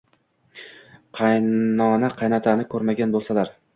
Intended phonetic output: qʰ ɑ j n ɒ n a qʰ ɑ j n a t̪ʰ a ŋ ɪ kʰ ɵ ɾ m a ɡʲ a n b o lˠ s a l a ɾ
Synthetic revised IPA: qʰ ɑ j n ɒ n a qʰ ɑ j n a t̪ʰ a n ɪ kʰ ɵ ɾ m a ɡʲ a n b o lˠ s a l a ɾ